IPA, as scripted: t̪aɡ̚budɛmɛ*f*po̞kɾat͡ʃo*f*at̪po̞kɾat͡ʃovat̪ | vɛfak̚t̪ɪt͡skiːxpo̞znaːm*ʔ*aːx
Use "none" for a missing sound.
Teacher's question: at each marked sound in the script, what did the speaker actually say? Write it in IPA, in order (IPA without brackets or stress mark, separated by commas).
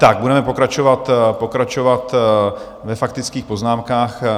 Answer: none, v, k